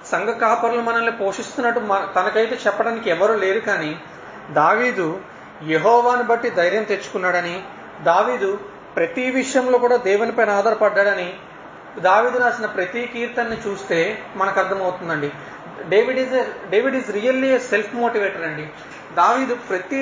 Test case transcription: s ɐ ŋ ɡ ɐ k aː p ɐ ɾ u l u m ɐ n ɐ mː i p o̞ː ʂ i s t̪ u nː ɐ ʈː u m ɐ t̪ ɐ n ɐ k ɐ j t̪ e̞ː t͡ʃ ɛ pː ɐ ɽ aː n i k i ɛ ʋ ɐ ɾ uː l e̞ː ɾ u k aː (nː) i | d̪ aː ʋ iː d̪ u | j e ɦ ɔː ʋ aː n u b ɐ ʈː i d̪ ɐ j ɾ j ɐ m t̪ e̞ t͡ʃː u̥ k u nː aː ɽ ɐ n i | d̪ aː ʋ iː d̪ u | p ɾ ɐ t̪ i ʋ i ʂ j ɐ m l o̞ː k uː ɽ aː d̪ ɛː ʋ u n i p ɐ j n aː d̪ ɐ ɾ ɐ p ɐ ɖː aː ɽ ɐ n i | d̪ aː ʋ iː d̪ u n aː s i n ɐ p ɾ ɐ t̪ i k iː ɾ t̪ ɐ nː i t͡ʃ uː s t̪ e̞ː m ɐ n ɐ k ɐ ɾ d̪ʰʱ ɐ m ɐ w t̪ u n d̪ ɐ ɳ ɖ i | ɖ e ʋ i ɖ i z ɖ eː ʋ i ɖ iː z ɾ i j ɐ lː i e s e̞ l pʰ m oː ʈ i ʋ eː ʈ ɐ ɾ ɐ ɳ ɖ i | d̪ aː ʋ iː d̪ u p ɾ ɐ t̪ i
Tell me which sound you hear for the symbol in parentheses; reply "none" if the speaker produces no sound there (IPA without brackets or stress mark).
n